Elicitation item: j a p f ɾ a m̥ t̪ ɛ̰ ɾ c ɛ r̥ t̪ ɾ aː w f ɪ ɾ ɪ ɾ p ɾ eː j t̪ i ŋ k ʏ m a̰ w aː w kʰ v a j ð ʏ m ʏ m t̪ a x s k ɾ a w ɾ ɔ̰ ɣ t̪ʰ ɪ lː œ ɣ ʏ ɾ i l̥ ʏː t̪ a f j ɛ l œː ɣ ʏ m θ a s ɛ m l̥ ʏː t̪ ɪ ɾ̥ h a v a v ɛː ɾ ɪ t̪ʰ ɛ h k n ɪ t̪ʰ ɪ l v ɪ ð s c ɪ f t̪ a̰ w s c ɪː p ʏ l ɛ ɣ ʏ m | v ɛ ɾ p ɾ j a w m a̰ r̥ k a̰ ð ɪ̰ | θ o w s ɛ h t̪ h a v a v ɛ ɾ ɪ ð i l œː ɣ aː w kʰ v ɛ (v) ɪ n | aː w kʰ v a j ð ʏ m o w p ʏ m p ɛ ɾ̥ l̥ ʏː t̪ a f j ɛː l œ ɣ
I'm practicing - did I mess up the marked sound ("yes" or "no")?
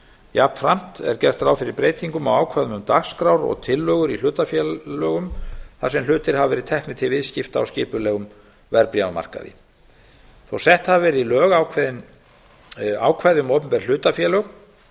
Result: yes